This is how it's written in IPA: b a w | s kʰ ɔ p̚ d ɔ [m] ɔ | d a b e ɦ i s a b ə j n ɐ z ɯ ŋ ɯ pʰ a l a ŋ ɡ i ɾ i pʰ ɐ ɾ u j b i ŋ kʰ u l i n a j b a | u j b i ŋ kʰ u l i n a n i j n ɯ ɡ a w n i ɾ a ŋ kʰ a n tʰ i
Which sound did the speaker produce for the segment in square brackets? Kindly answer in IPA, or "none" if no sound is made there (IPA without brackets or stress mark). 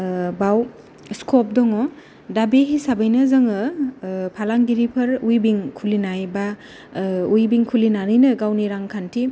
ŋ